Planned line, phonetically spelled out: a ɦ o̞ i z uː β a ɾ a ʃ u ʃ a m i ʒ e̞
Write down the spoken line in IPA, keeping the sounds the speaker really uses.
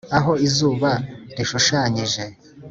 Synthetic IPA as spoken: a ɦ o̞ i z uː β a ɾ i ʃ u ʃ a ɲ i ʒ e̞